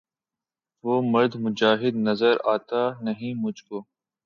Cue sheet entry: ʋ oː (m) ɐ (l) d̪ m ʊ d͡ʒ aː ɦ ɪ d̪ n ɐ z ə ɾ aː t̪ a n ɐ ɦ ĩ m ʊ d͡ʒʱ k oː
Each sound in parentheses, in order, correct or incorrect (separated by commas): correct, incorrect